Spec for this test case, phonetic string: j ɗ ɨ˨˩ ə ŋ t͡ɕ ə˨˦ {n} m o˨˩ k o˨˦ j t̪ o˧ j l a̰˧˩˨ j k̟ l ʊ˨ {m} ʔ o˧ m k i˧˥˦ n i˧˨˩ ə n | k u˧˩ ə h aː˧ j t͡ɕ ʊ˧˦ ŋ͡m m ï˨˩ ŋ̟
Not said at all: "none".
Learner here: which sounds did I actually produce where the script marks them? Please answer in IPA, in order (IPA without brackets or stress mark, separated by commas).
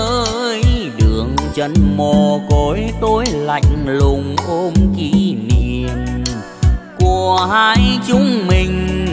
n, ŋ͡m